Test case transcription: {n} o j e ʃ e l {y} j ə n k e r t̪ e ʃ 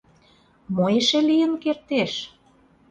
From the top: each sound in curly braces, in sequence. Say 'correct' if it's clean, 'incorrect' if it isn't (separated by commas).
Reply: incorrect, incorrect